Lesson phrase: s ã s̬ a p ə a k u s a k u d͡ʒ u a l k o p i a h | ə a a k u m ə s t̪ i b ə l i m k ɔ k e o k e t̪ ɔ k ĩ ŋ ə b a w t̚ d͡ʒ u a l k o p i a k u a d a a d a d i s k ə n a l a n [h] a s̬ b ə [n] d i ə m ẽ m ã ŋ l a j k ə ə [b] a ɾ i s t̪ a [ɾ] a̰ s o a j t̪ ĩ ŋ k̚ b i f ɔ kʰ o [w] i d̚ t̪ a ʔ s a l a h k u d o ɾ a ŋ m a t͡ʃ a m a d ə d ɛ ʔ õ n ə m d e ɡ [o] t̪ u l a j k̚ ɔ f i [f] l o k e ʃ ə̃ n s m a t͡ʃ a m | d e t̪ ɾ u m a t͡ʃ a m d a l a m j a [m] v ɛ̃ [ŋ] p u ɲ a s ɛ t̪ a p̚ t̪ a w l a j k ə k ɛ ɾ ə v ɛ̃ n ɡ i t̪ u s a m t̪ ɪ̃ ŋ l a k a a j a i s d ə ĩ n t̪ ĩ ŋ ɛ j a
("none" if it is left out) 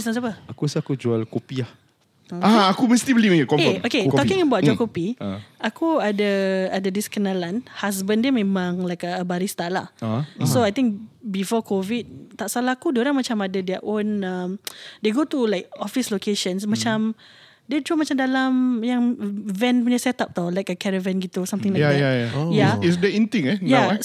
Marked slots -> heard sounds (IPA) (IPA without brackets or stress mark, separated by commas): h, n, b, l, v, o, s, ŋ, n